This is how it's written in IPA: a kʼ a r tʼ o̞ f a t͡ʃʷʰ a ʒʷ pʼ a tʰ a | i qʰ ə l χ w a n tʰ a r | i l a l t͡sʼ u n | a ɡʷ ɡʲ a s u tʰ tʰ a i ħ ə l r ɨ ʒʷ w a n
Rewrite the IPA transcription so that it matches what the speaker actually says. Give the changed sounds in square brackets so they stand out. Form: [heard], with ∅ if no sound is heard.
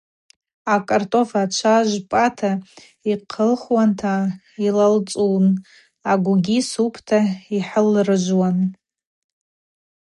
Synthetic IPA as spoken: a kʼ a r tʼ o̞ f a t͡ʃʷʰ a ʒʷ pʼ a tʰ a | i qʰ ə l χ w a n tʰ a [∅] | i l a l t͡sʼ u n | a ɡʷ ɡʲ [i] s u [pʰ] tʰ a i ħ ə l r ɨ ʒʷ w a n